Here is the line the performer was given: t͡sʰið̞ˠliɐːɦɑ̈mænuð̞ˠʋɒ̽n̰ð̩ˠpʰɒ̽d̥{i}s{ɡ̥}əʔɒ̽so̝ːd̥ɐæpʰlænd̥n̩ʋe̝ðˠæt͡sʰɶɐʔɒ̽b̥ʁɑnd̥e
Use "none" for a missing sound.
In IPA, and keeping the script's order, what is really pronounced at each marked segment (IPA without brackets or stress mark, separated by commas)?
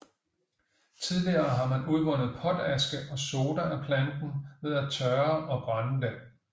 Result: æ, ɡ̥